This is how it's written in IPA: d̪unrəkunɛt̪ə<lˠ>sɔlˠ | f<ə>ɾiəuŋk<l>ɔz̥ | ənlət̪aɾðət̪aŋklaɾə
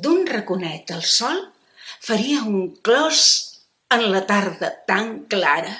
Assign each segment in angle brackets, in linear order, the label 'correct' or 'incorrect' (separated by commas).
correct, correct, correct